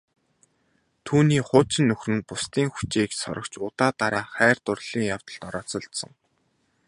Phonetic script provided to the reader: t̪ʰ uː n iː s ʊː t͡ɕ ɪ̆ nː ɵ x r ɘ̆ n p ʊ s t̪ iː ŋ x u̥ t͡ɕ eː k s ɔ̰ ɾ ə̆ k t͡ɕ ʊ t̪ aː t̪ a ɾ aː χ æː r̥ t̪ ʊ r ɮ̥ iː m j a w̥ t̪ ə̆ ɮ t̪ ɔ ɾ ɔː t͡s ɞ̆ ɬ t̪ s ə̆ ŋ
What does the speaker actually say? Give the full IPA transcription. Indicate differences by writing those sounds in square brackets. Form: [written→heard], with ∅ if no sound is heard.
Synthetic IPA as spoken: t̪ʰ uː n iː [s→χ] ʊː t͡ɕ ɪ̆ nː ɵ x r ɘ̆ n p ʊ s t̪ iː ŋ x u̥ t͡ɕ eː k s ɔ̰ ɾ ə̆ k t͡ɕ ʊ t̪ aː t̪ a ɾ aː χ æː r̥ t̪ ʊ r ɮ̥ iː [m→ŋ] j a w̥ t̪ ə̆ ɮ t̪ ɔ ɾ ɔː t͡s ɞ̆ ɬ t̪ s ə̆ ŋ